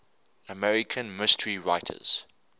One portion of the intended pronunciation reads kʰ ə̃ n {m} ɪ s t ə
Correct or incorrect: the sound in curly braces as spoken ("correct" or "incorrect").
correct